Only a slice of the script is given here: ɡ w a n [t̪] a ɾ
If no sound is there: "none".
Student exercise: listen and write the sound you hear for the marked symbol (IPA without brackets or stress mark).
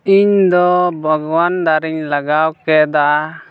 d̪